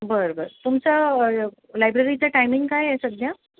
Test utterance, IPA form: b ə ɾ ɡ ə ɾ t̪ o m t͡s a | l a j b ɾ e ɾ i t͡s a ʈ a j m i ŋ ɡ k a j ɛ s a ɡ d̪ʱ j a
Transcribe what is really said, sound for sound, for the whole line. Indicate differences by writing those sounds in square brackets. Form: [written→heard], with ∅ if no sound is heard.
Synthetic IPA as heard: b ə ɾ [ɡ→b] ə ɾ t̪ [o→u] m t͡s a | l a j b ɾ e ɾ i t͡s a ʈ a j m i ŋ ɡ k a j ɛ s [a→ə] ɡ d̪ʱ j a

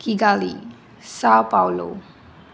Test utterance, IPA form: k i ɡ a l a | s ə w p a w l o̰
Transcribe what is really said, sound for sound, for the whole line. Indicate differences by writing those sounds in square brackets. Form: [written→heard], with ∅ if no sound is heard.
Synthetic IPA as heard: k i ɡ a l [a→i] | s [ə→a] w p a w l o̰

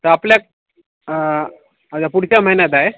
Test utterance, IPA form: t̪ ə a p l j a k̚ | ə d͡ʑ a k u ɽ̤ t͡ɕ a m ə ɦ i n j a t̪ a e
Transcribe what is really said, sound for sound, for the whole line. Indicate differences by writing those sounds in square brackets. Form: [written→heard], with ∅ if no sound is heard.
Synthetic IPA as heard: t̪ ə a p l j a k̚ | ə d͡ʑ a [k→p] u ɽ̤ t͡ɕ a m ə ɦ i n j a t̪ a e

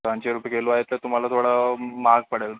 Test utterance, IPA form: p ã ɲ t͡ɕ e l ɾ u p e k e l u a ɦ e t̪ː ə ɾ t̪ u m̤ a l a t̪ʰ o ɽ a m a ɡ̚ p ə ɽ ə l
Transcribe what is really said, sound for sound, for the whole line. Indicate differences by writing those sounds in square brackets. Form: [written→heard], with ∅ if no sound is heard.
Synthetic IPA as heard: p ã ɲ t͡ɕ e [l→∅] ɾ u p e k e l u a ɦ e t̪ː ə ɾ t̪ u m̤ a l a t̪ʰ o ɽ a m a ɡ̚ p ə ɽ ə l

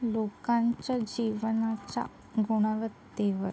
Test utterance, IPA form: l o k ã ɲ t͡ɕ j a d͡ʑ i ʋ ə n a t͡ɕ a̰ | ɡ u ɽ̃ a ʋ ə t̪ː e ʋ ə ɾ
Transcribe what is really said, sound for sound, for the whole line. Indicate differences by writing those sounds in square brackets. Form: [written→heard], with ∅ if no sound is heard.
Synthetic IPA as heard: l o k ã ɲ t͡ɕ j a d͡ʑ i ʋ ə n a t͡ɕ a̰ | ɡ u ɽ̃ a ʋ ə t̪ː e ʋ ə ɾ

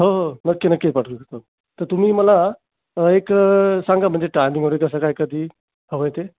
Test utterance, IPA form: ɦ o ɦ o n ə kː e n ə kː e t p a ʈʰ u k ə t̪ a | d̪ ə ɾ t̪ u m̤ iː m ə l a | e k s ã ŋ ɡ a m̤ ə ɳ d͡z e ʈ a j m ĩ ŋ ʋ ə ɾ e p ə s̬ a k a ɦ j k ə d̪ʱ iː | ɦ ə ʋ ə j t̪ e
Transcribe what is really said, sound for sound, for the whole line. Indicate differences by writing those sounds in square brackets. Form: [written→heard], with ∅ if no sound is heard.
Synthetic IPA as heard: ɦ o ɦ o n ə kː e n ə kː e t p a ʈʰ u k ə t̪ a | [d̪→t̪] ə ɾ t̪ u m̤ iː m ə l a | e k s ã ŋ ɡ a m̤ ə ɳ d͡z e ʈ a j m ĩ ŋ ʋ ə ɾ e [p→k] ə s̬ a k a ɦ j k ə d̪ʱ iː | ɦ ə ʋ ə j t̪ e

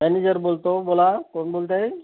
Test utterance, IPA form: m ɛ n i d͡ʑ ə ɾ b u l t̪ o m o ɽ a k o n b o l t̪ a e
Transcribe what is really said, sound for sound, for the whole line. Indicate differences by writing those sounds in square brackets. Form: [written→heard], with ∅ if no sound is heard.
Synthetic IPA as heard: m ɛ n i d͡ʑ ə ɾ b [u→o] l t̪ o [m→b] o [ɽ→l] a k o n b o l t̪ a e

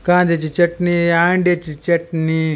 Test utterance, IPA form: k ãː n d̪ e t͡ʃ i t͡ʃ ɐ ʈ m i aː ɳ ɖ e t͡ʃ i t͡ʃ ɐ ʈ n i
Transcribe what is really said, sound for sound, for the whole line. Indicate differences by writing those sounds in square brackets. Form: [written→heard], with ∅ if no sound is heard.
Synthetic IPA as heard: k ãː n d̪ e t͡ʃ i t͡ʃ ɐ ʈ [m→n] i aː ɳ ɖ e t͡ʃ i t͡ʃ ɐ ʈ n i

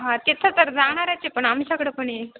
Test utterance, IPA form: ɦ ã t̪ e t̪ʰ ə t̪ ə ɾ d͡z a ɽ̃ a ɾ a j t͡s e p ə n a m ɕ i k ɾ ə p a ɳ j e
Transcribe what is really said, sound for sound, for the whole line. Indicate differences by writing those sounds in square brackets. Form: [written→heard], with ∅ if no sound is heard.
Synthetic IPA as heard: ɦ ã t̪ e t̪ʰ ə t̪ ə ɾ d͡z a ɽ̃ a ɾ a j t͡s e p ə [n→ɳ] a m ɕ [i→a] k [ɾ→ɽ] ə p [a→ə] ɳ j e

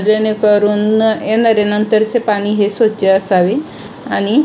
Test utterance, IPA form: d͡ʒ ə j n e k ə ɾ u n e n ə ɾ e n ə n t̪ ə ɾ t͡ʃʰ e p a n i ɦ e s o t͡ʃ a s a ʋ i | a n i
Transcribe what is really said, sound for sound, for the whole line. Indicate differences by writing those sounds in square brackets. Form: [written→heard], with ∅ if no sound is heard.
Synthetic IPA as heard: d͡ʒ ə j n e k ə ɾ u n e n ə ɾ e n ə n t̪ ə ɾ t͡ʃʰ e p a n i ɦ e s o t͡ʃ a s a ʋ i | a n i

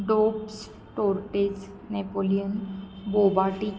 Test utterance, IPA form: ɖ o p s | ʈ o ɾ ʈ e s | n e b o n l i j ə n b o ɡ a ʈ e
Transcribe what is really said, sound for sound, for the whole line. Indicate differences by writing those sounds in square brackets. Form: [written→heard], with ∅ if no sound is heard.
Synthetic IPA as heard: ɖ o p s | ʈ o ɾ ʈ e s | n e [b→p] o [n→∅] l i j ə n b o [ɡ→b] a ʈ [e→i]

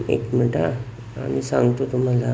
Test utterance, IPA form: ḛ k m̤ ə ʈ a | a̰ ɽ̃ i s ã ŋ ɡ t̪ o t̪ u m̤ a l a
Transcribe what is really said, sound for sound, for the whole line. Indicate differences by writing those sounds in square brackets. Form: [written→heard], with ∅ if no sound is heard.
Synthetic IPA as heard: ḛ k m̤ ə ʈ a | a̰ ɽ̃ i s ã ŋ ɡ t̪ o t̪ u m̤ a l a

